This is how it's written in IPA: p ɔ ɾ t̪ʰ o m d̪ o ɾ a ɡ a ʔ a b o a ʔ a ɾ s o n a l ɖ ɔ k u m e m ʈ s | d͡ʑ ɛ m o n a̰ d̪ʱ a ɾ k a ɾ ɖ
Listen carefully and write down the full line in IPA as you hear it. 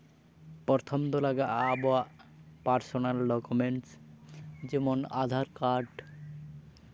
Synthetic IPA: p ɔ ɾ t̪ʰ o m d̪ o l a ɡ a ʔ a b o a p a ɾ s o n a l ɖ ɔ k u m e ɳ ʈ s | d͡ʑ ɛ m o n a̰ d̪ʱ a ɾ k a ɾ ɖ